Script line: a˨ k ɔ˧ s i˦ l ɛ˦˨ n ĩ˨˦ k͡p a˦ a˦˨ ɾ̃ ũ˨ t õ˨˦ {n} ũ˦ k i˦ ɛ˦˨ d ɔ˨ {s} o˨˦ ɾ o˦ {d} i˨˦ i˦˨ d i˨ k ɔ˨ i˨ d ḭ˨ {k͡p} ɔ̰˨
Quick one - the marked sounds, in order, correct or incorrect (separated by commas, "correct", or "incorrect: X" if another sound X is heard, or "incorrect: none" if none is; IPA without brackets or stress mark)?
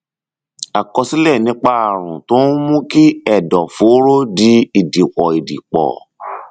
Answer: incorrect: m, incorrect: f, correct, correct